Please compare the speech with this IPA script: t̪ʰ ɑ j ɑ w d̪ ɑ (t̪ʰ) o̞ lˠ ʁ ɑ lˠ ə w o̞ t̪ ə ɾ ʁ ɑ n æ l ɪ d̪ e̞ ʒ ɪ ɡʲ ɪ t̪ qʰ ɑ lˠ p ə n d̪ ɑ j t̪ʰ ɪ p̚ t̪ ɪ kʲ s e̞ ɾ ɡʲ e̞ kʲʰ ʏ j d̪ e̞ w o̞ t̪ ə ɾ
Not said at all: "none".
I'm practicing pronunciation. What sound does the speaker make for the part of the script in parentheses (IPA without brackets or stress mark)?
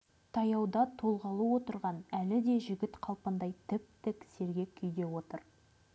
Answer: t̪ʰ